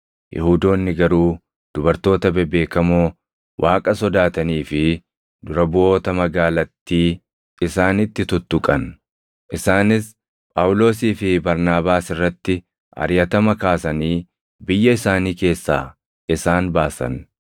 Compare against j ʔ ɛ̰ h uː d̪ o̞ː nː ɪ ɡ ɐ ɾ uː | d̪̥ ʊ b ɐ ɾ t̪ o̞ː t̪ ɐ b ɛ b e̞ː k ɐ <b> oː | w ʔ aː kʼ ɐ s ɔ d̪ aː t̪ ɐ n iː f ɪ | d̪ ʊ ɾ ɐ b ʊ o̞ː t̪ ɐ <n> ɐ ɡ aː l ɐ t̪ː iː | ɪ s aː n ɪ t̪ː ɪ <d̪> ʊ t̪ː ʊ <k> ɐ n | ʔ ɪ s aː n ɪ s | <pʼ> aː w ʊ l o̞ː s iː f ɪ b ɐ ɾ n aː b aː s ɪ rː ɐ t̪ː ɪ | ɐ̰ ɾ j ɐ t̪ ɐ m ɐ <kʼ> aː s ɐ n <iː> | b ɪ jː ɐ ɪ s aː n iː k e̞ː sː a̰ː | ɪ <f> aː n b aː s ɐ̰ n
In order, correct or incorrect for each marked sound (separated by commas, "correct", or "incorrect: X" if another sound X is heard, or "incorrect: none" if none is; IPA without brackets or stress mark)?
incorrect: m, incorrect: m, incorrect: t̪, incorrect: kʼ, correct, incorrect: k, correct, incorrect: s